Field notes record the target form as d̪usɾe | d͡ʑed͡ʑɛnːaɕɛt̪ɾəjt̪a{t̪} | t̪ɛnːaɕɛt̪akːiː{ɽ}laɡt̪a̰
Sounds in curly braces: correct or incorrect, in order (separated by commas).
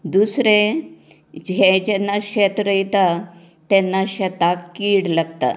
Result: incorrect, correct